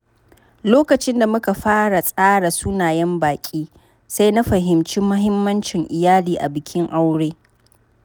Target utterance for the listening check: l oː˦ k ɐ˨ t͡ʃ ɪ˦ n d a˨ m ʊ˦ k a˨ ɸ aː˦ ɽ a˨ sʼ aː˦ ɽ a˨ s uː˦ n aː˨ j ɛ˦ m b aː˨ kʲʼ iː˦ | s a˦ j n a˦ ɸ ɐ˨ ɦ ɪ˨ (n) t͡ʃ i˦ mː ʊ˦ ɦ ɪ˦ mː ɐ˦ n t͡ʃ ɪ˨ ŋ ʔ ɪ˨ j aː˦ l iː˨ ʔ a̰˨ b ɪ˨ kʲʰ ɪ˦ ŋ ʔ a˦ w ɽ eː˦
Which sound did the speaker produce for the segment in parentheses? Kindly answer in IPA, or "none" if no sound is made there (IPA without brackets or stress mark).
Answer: m